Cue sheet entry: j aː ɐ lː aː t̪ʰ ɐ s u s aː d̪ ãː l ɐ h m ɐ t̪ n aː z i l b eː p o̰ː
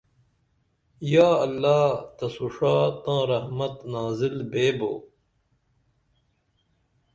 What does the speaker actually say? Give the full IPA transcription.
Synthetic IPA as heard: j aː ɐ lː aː t̪ ɐ s u ʂ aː t̪ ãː ɾ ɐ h m ɐ t̪ n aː z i l b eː b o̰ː